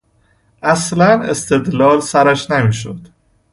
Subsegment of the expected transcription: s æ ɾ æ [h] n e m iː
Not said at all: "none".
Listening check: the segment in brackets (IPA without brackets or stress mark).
ʃ